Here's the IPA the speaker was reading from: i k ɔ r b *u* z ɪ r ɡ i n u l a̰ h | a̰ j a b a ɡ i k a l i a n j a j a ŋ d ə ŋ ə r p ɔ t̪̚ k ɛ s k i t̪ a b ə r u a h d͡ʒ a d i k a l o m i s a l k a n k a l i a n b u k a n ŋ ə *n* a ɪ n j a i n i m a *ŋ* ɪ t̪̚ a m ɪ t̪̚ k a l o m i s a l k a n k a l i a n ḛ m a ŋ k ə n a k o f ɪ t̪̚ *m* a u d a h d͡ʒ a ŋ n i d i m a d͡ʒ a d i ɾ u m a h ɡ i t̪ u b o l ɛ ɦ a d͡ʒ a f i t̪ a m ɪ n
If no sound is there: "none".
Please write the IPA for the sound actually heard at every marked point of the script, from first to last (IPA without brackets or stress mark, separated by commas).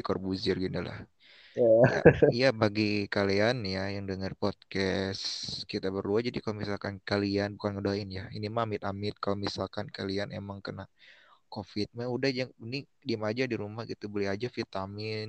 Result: u, d, m, m